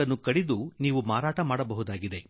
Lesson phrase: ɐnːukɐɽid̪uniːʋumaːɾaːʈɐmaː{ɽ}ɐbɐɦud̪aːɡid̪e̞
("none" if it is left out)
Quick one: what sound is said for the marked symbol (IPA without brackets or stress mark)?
ɽ